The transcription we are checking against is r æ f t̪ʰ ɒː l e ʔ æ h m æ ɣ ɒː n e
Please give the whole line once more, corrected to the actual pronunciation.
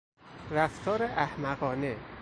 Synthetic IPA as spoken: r æ f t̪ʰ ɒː ɾ e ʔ æ h m æ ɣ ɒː n e